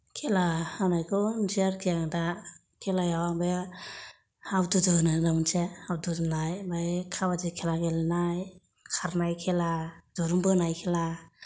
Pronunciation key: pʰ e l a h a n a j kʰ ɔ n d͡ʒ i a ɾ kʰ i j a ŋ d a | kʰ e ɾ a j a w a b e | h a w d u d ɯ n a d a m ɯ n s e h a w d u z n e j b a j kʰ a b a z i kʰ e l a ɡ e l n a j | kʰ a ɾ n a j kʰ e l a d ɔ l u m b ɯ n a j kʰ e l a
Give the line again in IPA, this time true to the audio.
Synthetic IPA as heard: kʰ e l a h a n a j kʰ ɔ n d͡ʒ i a ɾ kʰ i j a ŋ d a | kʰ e l a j a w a b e | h a w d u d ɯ n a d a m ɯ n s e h a w d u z n a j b a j kʰ a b a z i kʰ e l a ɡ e l n a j | kʰ a ɾ n a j kʰ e l a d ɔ ɾ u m b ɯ n a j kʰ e l a